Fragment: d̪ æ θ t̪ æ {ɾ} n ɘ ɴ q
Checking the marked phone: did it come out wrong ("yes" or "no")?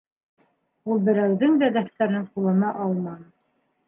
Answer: no